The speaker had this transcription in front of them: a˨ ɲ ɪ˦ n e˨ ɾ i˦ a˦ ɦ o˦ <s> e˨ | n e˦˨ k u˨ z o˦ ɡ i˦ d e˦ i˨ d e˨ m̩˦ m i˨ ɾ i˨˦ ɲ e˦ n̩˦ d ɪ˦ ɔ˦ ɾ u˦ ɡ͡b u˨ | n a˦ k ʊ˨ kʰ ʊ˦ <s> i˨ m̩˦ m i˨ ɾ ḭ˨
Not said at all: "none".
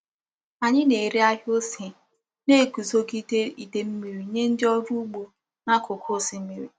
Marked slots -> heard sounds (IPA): s, s

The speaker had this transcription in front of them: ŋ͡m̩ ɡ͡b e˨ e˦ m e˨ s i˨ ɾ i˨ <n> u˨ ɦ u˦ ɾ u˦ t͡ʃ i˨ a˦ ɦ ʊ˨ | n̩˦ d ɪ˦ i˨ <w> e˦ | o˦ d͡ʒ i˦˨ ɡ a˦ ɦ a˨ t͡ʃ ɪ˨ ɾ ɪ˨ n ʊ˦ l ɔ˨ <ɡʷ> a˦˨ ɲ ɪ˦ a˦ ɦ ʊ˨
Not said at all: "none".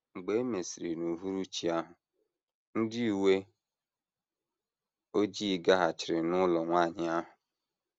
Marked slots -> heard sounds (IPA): n, w, ŋʷ

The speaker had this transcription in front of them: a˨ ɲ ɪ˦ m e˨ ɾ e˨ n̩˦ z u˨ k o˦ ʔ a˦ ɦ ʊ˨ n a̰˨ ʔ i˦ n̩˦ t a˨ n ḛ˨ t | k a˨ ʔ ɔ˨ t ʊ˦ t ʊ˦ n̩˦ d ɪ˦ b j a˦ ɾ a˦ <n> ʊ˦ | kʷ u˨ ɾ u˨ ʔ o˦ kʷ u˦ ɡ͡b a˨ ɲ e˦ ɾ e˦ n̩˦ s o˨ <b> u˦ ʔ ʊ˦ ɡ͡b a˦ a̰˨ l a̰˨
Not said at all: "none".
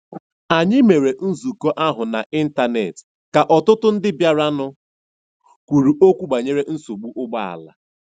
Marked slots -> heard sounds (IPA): n, ɡ͡b

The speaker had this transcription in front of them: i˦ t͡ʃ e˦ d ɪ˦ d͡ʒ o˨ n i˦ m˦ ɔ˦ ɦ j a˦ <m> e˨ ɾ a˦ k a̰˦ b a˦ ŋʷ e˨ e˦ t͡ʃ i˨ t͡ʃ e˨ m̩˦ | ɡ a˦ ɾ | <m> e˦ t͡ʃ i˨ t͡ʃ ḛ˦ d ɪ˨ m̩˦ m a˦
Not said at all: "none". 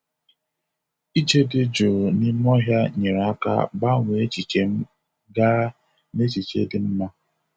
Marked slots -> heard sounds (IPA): ɲ, n

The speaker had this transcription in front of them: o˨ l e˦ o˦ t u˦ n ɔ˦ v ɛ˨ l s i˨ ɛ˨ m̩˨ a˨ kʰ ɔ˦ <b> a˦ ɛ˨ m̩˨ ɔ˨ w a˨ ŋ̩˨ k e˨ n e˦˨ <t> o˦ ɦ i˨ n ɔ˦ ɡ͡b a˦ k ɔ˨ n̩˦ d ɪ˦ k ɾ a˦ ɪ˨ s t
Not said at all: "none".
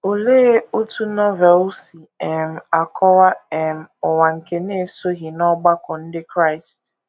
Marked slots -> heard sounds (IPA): w, s

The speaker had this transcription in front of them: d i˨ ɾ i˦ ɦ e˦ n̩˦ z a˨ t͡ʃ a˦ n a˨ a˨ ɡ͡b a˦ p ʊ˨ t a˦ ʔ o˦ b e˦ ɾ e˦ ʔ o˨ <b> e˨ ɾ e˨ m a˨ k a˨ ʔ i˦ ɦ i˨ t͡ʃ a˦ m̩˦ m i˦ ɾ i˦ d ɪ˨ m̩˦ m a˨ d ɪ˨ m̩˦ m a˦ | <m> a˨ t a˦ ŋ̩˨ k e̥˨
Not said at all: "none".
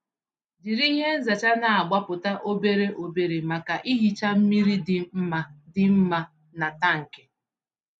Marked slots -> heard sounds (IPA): b, n

